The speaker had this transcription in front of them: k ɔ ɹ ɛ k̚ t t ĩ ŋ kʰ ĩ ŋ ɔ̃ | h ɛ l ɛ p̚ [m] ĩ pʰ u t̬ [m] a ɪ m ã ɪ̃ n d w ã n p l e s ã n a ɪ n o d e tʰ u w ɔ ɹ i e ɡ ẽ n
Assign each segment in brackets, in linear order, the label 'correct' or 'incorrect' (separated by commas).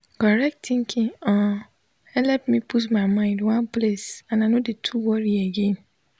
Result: correct, correct